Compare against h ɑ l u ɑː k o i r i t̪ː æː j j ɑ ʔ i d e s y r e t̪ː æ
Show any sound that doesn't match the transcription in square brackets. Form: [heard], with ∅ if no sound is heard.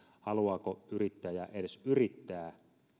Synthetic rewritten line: h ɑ l u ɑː k o [y] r i t̪ː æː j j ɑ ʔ [e] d e s y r [i] t̪ː [æː]

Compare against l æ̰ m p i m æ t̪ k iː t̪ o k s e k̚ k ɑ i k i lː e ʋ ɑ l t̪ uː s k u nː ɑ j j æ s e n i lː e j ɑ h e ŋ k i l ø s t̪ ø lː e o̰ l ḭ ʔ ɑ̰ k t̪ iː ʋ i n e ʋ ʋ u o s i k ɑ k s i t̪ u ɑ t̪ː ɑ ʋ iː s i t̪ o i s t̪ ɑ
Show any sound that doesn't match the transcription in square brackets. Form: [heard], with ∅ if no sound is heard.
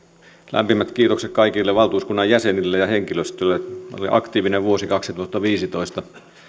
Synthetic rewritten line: l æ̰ m p i m æ t̪ k iː t̪ o k s e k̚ k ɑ i k i lː e ʋ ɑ l t̪ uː s k u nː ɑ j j æ s e n i lː e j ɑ h e ŋ k i l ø s t̪ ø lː e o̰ l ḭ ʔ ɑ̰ k t̪ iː ʋ i n e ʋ ʋ u o s i k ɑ k s i t̪ u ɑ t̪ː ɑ ʋ iː s i t̪ o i s t̪ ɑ

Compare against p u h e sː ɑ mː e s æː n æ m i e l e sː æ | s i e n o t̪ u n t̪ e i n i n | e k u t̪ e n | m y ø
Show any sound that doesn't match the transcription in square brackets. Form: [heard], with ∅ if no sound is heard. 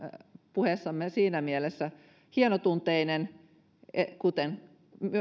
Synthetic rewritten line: p u h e sː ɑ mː e s [iː] n æ m i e l e sː æ | [h] i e n o t̪ u n t̪ e i n [e] n | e k u t̪ e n | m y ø

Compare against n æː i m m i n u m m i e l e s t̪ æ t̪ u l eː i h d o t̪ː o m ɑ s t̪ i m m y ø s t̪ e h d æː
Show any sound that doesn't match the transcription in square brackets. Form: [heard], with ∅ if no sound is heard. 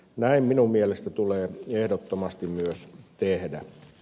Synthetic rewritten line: n [æ] i m m i n u m m i e l e s t̪ æ t̪ u l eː [e] h d o t̪ː o m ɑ s t̪ i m m y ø s t̪ e h d [æ]

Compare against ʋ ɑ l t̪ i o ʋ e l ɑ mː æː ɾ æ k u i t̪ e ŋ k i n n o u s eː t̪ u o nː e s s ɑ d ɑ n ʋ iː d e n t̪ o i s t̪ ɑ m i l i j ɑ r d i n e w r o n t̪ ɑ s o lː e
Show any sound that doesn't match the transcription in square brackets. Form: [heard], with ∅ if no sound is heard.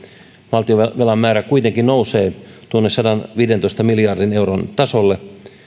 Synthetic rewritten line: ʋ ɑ l t̪ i o ʋ e l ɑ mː æː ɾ æ k u i t̪ e ŋ k i n n o u s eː t̪ u o nː e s s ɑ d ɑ n ʋ iː d e n t̪ o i s t̪ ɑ m i l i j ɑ r d i n e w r o n t̪ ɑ s o lː e

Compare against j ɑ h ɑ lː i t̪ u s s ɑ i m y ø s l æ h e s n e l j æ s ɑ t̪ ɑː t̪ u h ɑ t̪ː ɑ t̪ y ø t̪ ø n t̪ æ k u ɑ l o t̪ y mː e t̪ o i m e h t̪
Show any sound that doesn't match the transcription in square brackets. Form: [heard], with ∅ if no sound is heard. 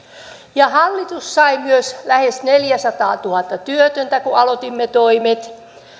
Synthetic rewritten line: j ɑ h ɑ lː i t̪ u s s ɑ i m y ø s l æ h e s n e l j æ s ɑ t̪ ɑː t̪ u h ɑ t̪ː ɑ t̪ y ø t̪ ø n t̪ æ k u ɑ l o t̪ [i] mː e t̪ o i m e [∅] t̪

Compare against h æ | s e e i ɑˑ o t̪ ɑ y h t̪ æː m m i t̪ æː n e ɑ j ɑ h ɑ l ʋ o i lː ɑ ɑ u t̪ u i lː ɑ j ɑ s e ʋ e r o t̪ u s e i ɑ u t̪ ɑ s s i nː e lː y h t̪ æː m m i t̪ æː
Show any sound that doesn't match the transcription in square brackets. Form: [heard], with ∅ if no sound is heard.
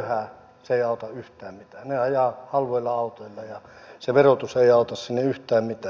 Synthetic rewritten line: h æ | s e e i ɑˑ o t̪ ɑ y h t̪ æː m m i t̪ æː n e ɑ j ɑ h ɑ l ʋ o i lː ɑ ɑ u t̪ [o] i lː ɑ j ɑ s e ʋ e r o t̪ u s e i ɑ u t̪ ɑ s s i nː e [∅] y h t̪ æː m m i t̪ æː

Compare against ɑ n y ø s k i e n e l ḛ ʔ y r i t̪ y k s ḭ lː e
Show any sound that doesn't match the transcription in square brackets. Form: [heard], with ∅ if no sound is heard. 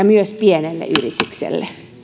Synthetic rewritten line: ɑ [m] y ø s [p] i e n e [lː] ḛ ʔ y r i t̪ y k s [ḛ] lː e

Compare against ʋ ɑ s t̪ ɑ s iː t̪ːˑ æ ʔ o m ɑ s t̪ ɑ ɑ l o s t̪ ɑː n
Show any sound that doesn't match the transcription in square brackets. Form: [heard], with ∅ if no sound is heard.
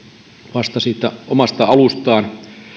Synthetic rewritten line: ʋ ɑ s t̪ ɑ s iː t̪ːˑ æ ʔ o m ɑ s t̪ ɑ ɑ l [u] s t̪ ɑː n

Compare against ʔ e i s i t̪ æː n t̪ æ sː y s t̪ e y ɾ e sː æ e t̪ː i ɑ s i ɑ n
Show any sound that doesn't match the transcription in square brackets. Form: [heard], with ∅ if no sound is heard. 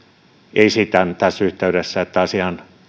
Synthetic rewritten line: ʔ e i s i t̪ [æ] n t̪ æ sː y [h] t̪ e y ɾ e sː æ e t̪ː [æ] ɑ s i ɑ n

